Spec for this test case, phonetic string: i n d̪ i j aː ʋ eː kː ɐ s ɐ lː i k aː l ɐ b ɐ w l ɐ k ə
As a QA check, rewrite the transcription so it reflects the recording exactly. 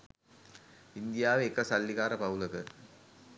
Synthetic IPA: i n d̪ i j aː ʋ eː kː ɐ s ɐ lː i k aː ɾ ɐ p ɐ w l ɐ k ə

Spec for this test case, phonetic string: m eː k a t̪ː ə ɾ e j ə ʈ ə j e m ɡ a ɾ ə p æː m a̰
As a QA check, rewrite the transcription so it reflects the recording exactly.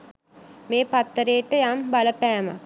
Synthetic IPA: m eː p a t̪ː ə ɾ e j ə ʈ ə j a m b a l ə p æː m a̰

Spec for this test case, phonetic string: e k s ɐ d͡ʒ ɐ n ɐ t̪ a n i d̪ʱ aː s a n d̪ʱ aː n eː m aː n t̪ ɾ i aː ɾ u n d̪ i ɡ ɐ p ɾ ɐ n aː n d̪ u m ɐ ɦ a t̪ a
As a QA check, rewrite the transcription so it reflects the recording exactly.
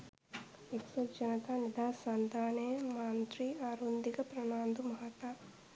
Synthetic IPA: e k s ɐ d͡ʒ ɐ n ɐ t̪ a n i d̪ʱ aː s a n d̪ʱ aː n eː m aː n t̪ ɾ i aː ɾ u n d̪ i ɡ ɐ p ɾ ɐ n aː n d̪ u m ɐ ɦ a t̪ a

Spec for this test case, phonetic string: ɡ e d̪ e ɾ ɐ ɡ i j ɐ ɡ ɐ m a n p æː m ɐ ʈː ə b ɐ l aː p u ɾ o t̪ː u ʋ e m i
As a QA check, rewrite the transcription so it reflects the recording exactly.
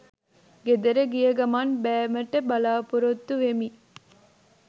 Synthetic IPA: ɡ e d̪ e ɾ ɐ ɡ i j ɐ ɡ ɐ m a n b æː m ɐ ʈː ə b ɐ l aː p u ɾ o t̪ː u ʋ e m i

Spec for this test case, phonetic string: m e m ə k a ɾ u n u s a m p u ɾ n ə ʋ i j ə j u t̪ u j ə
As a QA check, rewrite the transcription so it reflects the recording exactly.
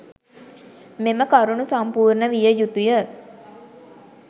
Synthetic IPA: m e m ə k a ɾ u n u s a m p uː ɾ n ə ʋ i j ə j u t̪ u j ə

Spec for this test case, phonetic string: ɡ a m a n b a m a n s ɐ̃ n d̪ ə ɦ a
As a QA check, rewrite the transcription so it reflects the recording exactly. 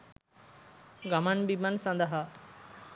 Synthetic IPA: ɡ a m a n b i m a n s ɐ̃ n d̪ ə ɦ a

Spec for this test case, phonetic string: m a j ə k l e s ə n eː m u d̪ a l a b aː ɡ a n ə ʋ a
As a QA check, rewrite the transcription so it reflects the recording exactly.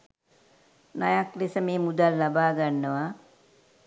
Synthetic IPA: n a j a k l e s ə m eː m u d̪ a lː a b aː ɡ a nː ə ʋ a

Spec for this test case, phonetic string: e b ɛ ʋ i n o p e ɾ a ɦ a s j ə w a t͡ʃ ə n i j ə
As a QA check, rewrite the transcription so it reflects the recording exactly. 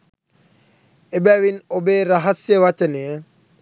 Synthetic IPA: e b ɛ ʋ i n o b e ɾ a ɦ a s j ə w a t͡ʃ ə n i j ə

